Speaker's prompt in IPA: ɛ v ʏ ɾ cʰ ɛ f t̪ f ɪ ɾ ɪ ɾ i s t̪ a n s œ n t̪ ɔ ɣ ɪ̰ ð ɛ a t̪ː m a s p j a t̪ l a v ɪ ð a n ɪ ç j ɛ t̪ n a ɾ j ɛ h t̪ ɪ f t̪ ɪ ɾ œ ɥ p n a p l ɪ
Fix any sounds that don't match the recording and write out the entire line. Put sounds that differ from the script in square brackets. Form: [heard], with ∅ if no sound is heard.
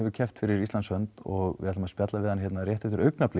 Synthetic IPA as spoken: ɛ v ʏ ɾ cʰ ɛ f t̪ f ɪ ɾ ɪ ɾ i s t̪ a n s œ n t̪ ɔ ɣ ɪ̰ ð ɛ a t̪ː m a s p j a t̪ l a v ɪ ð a n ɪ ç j ɛ t̪ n a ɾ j ɛ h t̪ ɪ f t̪ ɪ ɾ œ ɥ [k] n a p l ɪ